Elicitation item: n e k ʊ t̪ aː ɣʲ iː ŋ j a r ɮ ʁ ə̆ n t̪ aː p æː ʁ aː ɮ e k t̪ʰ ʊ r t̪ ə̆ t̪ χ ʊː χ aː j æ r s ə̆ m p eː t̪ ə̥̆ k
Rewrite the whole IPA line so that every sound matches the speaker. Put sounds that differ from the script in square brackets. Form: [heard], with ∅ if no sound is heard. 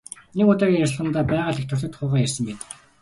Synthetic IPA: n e k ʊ t̪ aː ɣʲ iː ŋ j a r ɮ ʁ ə̆ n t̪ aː p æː ʁ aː ɮ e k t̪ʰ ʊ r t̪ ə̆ t̪ χ ʊː [ʁ] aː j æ r s ə̆ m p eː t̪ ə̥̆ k